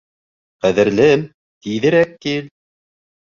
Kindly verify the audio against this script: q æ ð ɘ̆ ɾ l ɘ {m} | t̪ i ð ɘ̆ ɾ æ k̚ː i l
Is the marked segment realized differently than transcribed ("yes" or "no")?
no